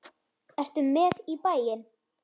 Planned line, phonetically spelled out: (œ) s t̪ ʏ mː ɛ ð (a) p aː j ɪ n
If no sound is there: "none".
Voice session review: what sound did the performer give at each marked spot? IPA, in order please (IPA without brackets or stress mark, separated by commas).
ɛ, i